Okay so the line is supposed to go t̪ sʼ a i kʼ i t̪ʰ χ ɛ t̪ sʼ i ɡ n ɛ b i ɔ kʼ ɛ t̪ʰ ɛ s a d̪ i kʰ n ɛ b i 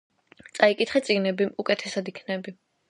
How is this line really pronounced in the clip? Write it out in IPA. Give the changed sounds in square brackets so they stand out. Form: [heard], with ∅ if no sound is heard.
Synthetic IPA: t̪ sʼ a i kʼ i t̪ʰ χ ɛ t̪ sʼ i ɡ n ɛ b i [u] kʼ ɛ t̪ʰ ɛ s a d̪ i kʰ n ɛ b i